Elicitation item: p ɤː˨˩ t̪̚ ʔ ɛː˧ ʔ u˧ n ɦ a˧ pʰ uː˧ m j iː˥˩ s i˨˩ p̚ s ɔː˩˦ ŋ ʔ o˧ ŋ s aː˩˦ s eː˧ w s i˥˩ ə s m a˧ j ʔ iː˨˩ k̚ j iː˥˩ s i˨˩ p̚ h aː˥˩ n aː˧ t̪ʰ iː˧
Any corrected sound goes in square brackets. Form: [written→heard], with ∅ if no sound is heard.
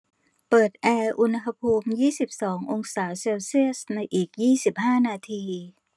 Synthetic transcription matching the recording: p ɤː˨˩ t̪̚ ʔ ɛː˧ ʔ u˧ n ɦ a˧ pʰ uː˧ m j iː˥˩ s i˨˩ p̚ s ɔː˩˦ ŋ ʔ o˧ ŋ s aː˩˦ s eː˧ w s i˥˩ ə s [m→n] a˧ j ʔ iː˨˩ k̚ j iː˥˩ s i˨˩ p̚ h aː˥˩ n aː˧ t̪ʰ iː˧